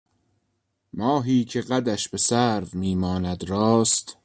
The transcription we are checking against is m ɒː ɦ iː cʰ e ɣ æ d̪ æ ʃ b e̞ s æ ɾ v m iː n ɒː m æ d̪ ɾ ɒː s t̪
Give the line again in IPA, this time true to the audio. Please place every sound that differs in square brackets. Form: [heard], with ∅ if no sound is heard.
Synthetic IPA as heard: m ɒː ɦ iː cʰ e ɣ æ d̪ æ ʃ b e̞ s æ ɾ v m iː [m] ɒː [n] æ d̪ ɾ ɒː s t̪